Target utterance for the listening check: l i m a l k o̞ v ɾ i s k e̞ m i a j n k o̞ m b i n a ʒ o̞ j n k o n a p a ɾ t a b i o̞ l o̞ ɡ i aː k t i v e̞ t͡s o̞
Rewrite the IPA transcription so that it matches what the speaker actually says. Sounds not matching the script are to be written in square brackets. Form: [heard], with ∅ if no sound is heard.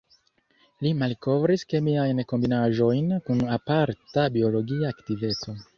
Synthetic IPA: l i m a l k o̞ v ɾ i s k e̞ m i a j n k o̞ m b i n a ʒ o̞ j n k [u] n a p a ɾ t a b i o̞ l o̞ ɡ i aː k t i v e̞ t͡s o̞